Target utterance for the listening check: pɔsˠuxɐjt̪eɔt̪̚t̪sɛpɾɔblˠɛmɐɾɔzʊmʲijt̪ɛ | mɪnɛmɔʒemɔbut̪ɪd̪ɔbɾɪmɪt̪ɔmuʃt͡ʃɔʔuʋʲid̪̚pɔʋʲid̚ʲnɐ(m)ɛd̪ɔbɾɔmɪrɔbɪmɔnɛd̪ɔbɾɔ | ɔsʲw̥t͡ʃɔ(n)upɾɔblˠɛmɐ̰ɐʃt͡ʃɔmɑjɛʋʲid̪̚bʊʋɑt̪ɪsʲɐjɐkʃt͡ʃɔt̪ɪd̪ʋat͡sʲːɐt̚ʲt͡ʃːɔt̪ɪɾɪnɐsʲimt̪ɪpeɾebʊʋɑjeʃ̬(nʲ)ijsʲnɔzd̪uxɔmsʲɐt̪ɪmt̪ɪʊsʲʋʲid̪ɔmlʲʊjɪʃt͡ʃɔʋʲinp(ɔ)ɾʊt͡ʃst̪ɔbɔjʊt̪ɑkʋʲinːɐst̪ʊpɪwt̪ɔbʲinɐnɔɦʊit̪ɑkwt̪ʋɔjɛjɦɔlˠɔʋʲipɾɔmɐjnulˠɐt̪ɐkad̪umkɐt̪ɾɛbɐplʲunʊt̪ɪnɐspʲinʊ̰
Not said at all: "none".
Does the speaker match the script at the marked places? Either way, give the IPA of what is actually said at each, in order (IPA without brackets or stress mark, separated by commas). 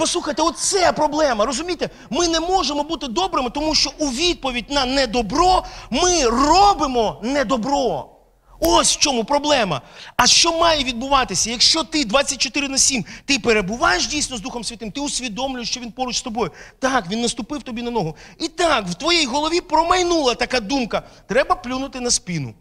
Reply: n, m, dʲ, ɔ